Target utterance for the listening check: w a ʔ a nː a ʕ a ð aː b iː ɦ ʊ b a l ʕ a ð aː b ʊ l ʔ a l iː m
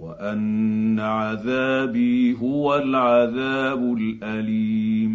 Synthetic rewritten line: w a ʔ a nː a ʕ a ð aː b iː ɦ ʊ w a l ʕ a ð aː b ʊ l ʔ a l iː m